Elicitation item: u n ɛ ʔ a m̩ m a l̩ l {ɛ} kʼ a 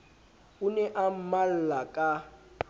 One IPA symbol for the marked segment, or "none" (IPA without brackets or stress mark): a